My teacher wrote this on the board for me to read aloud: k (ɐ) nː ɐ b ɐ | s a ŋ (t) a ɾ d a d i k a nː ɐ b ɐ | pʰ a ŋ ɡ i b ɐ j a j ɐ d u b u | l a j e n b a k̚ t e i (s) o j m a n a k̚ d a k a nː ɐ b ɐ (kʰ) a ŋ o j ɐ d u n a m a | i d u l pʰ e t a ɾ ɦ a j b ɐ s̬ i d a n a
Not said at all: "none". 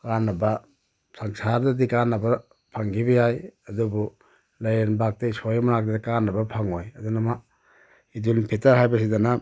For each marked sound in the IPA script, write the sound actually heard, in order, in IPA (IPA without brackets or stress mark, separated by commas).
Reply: a, s, s, pʰ